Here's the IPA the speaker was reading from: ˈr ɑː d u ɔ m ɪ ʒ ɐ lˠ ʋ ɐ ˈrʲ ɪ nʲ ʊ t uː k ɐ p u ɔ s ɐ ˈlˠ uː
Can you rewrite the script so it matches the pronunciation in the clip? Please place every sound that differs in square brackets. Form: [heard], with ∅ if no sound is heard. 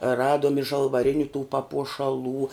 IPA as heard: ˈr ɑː d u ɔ m ɪ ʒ ɐ lˠ ʋ ɐ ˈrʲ ɪ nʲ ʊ t uː [p] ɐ p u ɔ [ʃ] ɐ ˈlˠ uː